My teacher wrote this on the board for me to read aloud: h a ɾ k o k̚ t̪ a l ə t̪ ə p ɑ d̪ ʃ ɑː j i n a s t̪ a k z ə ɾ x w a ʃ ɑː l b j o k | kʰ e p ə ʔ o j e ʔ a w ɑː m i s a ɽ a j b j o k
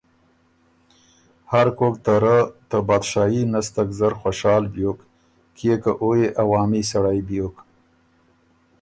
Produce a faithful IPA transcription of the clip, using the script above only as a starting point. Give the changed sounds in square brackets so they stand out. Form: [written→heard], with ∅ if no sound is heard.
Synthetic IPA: h a ɾ k o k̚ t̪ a [l→ɾ] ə t̪ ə [p→b] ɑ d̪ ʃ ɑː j i n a s t̪ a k z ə ɾ x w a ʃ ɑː l b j o k | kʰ e [p→k] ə ʔ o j e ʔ a w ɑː m i s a ɽ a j b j o k